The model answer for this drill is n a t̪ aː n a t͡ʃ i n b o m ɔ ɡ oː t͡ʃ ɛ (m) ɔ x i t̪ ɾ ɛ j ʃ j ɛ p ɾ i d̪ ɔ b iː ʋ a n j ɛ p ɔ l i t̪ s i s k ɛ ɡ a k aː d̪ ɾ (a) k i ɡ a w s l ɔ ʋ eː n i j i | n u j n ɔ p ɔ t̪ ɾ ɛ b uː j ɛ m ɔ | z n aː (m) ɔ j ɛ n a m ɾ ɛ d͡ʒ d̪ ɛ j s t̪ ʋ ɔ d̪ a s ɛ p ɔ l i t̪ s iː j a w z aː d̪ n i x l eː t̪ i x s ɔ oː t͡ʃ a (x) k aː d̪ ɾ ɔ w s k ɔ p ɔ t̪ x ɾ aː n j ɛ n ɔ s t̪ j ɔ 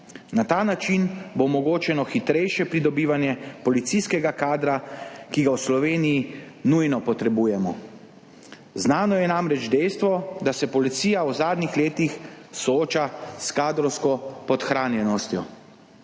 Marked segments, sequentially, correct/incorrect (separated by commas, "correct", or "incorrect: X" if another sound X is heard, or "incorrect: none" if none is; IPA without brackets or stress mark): incorrect: n, correct, incorrect: n, incorrect: s